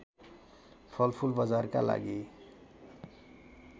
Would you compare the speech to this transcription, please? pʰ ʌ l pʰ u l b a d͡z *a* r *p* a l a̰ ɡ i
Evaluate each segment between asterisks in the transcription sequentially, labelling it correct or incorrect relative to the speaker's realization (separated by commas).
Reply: correct, incorrect